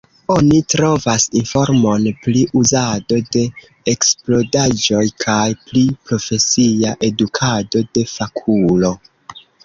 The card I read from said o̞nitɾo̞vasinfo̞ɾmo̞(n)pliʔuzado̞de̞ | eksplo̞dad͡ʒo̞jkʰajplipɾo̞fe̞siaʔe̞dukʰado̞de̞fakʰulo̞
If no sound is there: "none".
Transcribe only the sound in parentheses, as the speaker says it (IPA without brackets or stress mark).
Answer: n